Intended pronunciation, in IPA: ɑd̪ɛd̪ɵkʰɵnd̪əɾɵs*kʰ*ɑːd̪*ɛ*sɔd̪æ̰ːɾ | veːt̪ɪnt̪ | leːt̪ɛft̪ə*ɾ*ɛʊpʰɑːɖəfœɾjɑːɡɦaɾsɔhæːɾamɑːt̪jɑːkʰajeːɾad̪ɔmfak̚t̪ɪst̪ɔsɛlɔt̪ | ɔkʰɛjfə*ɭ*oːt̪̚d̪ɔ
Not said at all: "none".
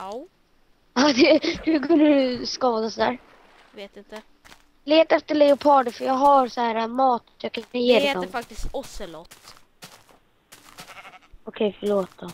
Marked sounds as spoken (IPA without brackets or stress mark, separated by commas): k, a, ɭ, ɭ